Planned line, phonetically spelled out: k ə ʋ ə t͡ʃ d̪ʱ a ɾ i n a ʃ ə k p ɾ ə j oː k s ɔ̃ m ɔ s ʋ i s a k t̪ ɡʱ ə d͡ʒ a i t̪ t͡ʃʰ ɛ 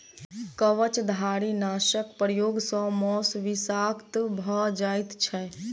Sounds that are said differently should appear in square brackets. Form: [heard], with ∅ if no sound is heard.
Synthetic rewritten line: k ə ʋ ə t͡ʃ d̪ʱ a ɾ i n a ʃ ə k p ɾ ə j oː [ɡ] s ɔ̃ m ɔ s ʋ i s a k t̪ [bʱ] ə d͡ʒ a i t̪ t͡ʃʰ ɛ

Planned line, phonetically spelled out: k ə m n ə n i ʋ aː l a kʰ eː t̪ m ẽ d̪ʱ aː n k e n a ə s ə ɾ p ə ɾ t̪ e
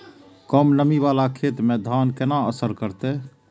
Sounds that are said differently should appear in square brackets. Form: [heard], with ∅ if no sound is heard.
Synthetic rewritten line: k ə m n ə [m] i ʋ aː l a kʰ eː t̪ m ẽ d̪ʱ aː n k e n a ə s ə ɾ [k] ə ɾ t̪ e

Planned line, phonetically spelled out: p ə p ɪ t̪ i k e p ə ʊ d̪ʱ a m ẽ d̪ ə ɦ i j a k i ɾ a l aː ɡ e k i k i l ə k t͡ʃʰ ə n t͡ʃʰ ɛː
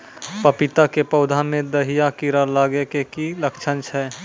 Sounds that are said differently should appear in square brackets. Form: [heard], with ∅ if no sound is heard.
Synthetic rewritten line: p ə p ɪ t̪ [a] k e p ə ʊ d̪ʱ a m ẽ d̪ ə ɦ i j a k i ɾ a l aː ɡ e k [e] k i l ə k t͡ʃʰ ə n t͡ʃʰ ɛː

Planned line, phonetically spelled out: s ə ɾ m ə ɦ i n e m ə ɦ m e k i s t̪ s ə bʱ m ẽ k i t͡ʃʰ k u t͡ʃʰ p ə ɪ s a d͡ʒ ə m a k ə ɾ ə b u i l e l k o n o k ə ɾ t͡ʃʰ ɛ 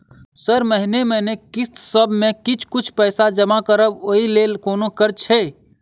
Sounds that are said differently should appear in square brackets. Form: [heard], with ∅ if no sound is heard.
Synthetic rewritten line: s ə ɾ m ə ɦ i n e m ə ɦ [n] e k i s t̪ s ə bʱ m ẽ k i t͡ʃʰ k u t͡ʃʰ p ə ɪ s a d͡ʒ ə m a k ə ɾ ə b [o] i l e l k o n o k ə ɾ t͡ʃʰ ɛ

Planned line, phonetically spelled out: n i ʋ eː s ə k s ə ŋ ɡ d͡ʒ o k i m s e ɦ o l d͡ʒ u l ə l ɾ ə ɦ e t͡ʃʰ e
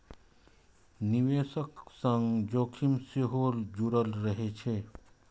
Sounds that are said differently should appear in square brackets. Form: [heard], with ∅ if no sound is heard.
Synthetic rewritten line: n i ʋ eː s ə k s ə ŋ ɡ d͡ʒ o [kʰ] i m s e ɦ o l d͡ʒ u [ɾ] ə l ɾ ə ɦ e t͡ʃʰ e

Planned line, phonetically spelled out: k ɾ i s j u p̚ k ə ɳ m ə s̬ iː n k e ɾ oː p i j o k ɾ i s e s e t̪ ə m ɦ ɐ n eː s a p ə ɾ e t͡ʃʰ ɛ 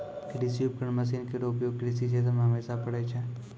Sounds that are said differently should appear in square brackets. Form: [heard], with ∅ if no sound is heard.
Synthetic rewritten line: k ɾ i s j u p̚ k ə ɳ m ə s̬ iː n k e ɾ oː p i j o k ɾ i s [i] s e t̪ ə m ɦ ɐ [m] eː s a p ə [ɽ] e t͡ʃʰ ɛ

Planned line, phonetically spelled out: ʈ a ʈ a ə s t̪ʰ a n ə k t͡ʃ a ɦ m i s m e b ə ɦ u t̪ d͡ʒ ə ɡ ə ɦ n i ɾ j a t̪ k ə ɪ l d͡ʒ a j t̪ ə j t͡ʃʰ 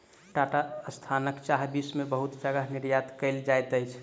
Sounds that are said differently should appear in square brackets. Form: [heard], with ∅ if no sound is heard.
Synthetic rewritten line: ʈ a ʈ a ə s t̪ʰ a n ə k t͡ʃ a ɦ [b] i s m e b ə ɦ u t̪ d͡ʒ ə ɡ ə ɦ n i ɾ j a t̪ k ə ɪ l d͡ʒ a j t̪ ə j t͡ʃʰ

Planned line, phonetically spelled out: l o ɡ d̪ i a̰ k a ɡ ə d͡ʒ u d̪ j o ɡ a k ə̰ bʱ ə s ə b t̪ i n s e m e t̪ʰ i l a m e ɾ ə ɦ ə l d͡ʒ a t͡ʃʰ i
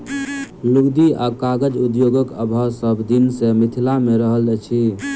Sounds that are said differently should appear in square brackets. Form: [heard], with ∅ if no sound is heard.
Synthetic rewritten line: l [u] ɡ d̪ i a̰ k a ɡ ə d͡ʒ u d̪ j o ɡ [ə] k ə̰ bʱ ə s ə b [d̪] i n s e m [i] t̪ʰ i l a m e ɾ ə ɦ ə l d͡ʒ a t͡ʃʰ i

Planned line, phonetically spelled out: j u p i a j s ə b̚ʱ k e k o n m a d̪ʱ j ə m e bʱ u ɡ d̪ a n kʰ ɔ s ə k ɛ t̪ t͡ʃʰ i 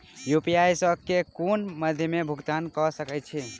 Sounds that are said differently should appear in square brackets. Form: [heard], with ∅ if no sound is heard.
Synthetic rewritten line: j u p i a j s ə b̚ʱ k e k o n m [ə] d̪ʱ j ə m e bʱ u ɡ [t̪] a n [k] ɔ s ə k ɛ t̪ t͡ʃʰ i

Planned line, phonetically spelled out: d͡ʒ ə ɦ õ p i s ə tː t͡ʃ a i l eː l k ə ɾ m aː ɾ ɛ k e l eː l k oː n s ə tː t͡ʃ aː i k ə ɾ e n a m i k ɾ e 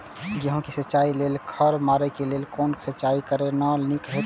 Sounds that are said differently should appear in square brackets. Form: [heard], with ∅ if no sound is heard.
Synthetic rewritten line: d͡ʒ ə ɦ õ [k] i s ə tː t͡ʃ a i l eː l [kʰ] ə ɾ m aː ɾ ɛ k e l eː l k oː n s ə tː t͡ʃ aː i k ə ɾ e n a [n] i k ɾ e

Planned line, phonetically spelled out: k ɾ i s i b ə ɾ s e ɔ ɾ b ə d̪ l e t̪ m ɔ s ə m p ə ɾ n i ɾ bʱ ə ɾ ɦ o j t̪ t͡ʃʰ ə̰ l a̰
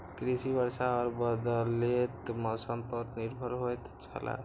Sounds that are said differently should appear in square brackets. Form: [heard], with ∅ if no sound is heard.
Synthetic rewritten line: k ɾ i s i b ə ɾ s [a] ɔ ɾ b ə d̪ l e t̪ m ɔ s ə m p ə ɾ n i ɾ bʱ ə ɾ ɦ o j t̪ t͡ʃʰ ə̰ l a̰

